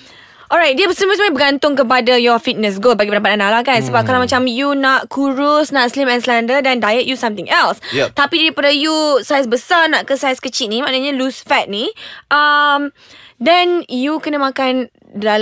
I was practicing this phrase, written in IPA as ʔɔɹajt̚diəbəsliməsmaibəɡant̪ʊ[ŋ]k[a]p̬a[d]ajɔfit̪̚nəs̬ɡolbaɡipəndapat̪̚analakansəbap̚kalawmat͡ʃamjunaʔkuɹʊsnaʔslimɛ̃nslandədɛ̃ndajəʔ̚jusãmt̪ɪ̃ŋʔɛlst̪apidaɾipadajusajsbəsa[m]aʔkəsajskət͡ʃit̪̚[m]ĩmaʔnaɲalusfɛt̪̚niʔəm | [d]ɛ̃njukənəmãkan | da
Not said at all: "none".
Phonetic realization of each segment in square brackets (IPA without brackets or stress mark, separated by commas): ŋ, ə, d, n, n, d